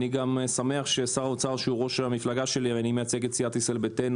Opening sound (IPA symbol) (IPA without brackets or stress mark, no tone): n